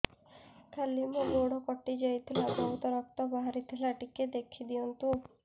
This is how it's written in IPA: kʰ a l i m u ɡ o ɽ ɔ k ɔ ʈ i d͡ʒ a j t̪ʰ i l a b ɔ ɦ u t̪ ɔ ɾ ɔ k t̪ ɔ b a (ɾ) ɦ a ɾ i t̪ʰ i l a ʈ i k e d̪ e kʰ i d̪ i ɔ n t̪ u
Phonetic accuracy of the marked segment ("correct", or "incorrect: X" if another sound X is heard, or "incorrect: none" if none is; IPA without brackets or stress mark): incorrect: none